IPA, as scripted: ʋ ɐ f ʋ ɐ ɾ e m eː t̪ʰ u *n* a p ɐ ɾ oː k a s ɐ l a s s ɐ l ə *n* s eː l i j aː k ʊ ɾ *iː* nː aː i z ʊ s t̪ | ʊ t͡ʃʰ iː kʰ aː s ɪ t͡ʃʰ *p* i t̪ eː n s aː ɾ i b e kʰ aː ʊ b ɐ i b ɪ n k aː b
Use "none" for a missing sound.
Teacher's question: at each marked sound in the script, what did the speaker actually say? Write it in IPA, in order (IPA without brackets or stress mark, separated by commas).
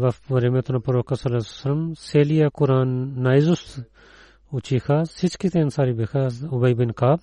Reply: n, m, aː, k